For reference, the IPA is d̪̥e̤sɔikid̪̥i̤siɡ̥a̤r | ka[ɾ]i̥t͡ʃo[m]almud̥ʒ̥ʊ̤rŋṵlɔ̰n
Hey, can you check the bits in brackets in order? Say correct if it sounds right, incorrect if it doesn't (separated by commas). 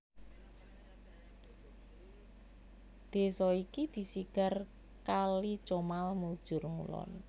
incorrect, correct